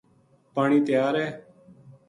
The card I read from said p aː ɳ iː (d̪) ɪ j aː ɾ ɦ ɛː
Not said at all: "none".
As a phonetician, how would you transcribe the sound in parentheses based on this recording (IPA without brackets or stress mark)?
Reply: t̪